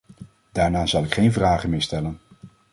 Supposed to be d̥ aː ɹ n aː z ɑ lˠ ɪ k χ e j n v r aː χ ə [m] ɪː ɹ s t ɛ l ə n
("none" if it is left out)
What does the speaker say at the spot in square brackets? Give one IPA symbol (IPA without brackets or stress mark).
m